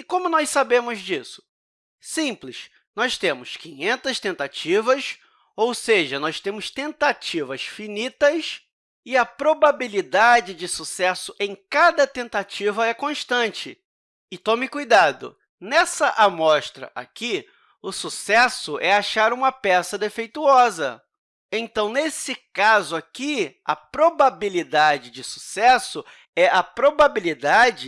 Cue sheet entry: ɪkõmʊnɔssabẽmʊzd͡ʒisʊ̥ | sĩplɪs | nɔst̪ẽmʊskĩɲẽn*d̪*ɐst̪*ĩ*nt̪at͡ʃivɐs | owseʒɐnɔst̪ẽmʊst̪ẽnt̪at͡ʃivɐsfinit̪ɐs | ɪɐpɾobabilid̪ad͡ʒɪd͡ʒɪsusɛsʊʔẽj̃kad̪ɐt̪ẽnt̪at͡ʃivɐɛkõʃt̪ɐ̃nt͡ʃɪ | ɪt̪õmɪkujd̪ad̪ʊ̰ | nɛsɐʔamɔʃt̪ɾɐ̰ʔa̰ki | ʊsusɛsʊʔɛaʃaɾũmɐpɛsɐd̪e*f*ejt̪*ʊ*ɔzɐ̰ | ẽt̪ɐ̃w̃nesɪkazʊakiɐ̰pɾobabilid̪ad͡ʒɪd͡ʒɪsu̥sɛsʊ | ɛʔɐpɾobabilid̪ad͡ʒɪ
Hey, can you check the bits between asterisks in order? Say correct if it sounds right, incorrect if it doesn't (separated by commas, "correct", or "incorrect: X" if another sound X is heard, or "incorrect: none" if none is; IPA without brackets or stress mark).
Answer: incorrect: t̪, incorrect: ẽ, correct, incorrect: u